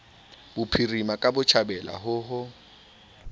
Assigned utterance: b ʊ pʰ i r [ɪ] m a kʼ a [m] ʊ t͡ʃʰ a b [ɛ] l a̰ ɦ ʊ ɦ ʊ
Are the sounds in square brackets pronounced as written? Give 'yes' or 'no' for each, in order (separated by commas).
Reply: no, no, yes